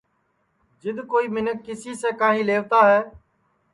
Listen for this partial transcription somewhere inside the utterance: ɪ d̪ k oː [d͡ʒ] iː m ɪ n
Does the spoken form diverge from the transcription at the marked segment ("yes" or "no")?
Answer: yes